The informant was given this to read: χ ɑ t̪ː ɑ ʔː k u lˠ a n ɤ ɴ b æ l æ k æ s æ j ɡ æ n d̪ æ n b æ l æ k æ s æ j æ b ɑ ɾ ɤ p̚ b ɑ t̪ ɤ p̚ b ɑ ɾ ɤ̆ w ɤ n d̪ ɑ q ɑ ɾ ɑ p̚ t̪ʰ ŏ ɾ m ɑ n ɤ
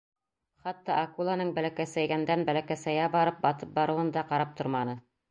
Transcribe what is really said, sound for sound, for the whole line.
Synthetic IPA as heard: χ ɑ t̪ː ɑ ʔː k u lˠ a n ɤ ɴ b æ l æ k æ s æ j ɡ æ n d̪ æ n b æ l æ k æ s æ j æ b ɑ ɾ ɤ p̚ b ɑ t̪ ɤ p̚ b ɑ ɾ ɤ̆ w ɤ n d̪ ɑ q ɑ ɾ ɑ p̚ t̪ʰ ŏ ɾ m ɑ n ɤ

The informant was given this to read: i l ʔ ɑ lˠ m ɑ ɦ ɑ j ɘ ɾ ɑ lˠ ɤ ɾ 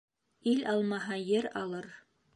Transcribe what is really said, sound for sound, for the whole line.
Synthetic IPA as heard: i l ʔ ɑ lˠ m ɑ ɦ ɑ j ɘ ɾ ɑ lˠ ɤ ɾ

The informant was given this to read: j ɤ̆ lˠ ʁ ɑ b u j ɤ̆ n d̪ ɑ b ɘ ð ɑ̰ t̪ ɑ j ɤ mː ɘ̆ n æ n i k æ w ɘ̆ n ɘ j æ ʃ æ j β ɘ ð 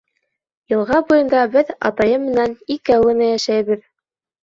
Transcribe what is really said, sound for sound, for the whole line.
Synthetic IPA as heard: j ɤ̆ lˠ ʁ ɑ b u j ɤ̆ n d̪ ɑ b ɘ ð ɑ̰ t̪ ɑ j ɤ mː ɘ̆ n æ n i k æ w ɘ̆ n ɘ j æ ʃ æ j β ɘ ð

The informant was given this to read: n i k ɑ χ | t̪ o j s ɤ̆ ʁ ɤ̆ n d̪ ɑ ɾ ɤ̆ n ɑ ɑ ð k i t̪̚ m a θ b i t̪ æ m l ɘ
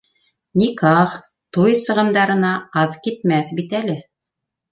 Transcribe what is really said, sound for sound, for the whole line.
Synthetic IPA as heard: n i k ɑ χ | t̪ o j s ɤ̆ ʁ ɤ̆ n d̪ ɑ ɾ ɤ̆ n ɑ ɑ ð k i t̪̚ m æ θ b i t̪ æ l ɘ

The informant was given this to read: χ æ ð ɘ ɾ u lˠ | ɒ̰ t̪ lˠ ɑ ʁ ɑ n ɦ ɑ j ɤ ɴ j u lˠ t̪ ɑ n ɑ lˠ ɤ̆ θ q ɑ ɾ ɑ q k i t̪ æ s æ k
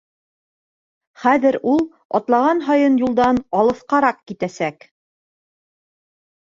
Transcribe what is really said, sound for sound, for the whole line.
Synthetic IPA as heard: χ æ ð ɘ ɾ u lˠ | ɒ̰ t̪ lˠ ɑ ʁ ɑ n ɦ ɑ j ɤ n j u lˠ d̪ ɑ n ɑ lˠ ɤ̆ θ q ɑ ɾ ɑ q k i t̪ æ s æ k

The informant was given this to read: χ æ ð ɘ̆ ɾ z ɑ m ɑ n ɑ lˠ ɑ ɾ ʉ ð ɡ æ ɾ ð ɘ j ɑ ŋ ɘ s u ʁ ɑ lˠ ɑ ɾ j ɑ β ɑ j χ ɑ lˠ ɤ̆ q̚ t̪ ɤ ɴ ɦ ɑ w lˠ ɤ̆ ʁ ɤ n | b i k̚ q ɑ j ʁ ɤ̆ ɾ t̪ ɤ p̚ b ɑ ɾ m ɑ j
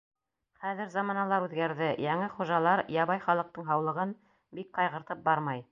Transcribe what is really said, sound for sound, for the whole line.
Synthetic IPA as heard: χ æ ð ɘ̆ ɾ z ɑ m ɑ n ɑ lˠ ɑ ɾ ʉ ð ɡ æ ɾ ð ɘ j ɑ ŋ ɘ χ u ʒ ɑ lˠ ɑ ɾ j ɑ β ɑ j χ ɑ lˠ ɤ̆ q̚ t̪ ɤ ɴ ɦ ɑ w lˠ ɤ̆ ʁ ɤ n | b i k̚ q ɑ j ʁ ɤ̆ ɾ t̪ ɤ p̚ b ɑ ɾ m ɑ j

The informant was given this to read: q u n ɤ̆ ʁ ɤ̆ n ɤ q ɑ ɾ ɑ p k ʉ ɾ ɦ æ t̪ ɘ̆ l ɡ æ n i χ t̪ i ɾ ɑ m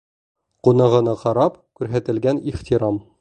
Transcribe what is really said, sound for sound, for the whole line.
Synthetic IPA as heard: q u n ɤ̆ ʁ ɤ̆ n ɤ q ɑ ɾ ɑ p k ʉ ɾ ɦ æ t̪ ɘ̆ l ɡ æ n i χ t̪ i ɾ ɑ m

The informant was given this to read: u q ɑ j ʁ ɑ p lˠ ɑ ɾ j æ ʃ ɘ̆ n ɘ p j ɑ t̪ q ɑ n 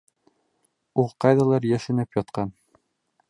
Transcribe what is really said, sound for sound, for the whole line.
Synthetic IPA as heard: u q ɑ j ð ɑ lˠ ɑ ɾ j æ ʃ ɘ̆ n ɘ p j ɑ t̪ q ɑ n

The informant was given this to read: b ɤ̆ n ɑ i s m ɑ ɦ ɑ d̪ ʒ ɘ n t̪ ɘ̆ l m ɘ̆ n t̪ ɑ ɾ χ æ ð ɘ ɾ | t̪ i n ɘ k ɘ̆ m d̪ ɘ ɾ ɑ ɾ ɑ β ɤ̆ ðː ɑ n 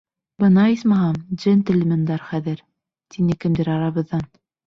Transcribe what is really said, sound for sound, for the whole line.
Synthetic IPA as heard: b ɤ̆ n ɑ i s m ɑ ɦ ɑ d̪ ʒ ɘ n t̪ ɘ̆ l m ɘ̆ n d̪ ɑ ɾ χ æ ð ɘ ɾ | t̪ i n ɘ k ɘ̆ m d̪ ɘ ɾ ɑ ɾ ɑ β ɤ̆ ðː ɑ n

